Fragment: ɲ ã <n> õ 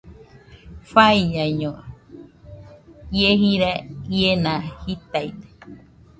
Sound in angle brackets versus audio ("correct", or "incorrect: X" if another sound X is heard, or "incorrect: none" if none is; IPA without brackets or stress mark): incorrect: ɲ